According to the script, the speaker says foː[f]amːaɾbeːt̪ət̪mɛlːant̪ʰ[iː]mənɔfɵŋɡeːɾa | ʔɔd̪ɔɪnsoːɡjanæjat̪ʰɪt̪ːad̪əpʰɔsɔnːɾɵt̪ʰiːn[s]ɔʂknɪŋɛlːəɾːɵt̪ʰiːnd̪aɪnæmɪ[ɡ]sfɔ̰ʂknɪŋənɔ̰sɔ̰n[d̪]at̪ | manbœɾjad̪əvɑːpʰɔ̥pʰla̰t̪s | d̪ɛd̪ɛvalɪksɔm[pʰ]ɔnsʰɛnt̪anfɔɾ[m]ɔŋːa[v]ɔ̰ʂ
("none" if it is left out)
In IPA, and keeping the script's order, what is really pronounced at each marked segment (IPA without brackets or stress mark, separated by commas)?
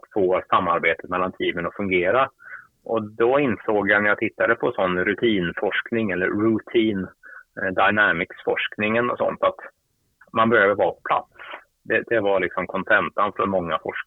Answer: s, iː, f, k, t̪, kʰ, m, f